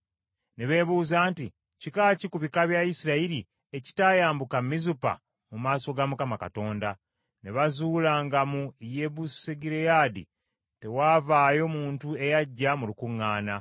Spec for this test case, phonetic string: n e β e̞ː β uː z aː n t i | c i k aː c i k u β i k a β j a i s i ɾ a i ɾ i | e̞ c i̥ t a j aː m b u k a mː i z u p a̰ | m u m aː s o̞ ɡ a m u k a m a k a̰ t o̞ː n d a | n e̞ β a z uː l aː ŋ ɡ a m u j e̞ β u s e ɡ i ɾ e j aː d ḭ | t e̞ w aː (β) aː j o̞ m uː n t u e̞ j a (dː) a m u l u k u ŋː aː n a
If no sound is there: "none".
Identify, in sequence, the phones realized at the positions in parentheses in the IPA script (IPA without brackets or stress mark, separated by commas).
v, ɟː